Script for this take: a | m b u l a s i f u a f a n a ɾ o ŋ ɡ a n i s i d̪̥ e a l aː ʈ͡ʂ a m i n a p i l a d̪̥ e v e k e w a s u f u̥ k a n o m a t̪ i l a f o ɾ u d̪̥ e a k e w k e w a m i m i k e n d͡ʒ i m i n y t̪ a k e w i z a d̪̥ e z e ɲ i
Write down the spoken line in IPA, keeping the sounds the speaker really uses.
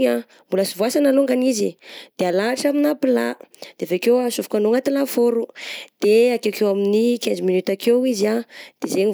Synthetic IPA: a | m b u l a s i v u a s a n a l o ŋ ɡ a n i z i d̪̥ e a l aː ʈ͡ʂ a m i n a p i l a d̪̥ e v e k e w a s u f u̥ k a n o ŋ a t̪ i l a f o ɾ u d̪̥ e a k e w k e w a m i n i k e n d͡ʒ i m i n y t̪ a k e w i z a d̪̥ e z e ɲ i